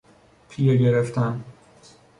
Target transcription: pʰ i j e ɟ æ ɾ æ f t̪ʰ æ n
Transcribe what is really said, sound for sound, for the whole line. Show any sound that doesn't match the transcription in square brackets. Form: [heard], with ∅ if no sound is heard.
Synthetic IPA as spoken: pʰ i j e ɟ [e] ɾ [e] f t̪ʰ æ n